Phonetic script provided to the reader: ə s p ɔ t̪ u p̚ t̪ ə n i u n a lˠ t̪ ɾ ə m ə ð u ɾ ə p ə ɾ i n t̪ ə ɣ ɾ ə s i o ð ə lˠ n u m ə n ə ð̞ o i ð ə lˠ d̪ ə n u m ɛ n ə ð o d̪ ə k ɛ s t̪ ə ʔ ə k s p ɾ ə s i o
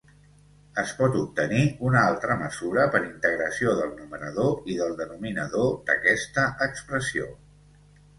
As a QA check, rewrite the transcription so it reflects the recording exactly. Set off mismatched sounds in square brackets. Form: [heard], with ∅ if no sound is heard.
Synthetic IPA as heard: ə s p ɔ t̪ u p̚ t̪ ə n i u n a lˠ t̪ ɾ ə m ə [z] u ɾ ə p ə ɾ i n t̪ ə ɣ ɾ ə s i o ð ə lˠ n u m ə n ə ð̞ o i ð ə lˠ d̪ ə n u m [i] n ə ð o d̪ ə k ɛ s t̪ ə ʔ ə k s p ɾ ə s i o